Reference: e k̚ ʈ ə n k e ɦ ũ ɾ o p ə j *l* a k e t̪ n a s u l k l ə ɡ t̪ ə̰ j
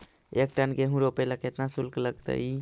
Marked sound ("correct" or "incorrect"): correct